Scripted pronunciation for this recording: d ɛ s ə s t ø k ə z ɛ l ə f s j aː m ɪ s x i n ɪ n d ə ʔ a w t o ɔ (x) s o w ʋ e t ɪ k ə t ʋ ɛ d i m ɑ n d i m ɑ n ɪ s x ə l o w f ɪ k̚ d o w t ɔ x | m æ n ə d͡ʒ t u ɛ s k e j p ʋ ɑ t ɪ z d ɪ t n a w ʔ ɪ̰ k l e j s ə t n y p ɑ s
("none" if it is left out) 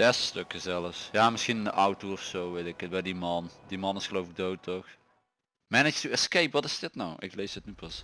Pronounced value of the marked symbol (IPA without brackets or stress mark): f